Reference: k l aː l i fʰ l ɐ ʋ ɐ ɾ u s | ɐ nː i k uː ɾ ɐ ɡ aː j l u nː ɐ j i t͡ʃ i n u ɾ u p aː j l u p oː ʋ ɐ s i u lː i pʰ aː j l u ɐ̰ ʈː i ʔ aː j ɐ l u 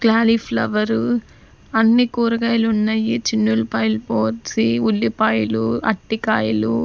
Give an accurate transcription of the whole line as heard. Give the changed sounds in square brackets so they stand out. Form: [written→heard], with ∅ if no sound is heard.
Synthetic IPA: k l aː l i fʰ l ɐ ʋ ɐ ɾ u [s→∅] | ɐ nː i k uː ɾ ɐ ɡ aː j l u nː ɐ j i t͡ʃ i [n→nː] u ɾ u p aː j l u p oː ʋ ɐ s i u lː i [pʰ→p] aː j l u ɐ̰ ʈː i [ʔ→k] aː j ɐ l u